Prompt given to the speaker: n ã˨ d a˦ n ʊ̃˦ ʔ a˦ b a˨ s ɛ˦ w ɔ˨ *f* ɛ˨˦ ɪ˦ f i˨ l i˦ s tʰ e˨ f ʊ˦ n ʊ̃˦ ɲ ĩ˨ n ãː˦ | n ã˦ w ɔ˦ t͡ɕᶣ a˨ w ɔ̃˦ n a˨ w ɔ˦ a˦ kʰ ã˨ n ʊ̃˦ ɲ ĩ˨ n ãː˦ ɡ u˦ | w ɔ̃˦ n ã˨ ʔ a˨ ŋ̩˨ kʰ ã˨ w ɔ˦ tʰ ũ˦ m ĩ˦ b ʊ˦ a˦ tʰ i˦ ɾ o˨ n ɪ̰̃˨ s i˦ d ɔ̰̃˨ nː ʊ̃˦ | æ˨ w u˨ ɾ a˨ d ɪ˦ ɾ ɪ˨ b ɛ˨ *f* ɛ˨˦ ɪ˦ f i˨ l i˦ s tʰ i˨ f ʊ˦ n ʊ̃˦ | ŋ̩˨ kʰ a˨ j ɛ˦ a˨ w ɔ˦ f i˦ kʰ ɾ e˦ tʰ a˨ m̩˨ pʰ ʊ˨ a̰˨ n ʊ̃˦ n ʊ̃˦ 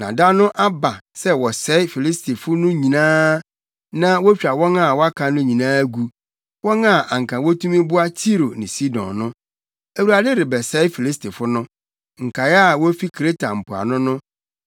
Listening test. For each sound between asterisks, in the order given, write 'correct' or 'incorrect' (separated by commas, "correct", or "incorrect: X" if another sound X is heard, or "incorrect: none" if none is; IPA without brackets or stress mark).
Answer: incorrect: s, incorrect: s